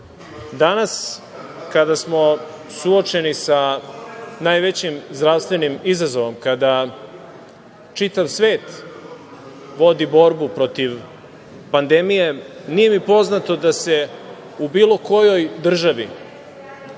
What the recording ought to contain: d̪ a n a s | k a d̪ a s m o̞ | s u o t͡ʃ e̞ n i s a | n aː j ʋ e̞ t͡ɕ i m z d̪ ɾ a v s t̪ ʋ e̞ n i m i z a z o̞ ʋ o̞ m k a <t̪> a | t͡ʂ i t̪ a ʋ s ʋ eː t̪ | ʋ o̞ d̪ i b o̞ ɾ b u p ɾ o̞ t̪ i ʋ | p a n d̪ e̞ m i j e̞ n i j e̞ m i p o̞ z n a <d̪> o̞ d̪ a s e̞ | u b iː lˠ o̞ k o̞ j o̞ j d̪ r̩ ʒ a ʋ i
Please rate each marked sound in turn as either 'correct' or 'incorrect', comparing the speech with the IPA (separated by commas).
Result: incorrect, incorrect